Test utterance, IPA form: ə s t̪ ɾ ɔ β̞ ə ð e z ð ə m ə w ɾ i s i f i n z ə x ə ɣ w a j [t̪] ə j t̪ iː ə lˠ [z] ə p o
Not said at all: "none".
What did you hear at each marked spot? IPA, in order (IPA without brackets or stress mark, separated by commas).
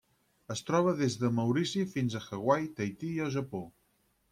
t̪, ʒ